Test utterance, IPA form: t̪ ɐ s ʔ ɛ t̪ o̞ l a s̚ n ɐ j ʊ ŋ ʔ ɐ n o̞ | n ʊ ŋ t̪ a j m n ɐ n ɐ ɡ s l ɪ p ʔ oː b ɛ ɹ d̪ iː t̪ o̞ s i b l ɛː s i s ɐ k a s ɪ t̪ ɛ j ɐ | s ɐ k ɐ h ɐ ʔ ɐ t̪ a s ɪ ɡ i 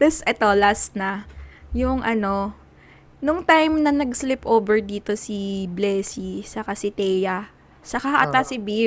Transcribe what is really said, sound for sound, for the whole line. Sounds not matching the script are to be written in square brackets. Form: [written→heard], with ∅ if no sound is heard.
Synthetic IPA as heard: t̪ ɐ s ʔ ɛ t̪ o̞ l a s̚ n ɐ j ʊ ŋ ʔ ɐ n o̞ | n ʊ ŋ t̪ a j m n ɐ n ɐ ɡ s l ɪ p ʔ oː b ɛ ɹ d̪ iː t̪ o̞ s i b l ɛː s i s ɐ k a s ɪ t̪ ɛ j ɐ | s ɐ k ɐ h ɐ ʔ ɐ t̪ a s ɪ [ɡ→b] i